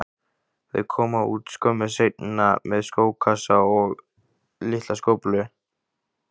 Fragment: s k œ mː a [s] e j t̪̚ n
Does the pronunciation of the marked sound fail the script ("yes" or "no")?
no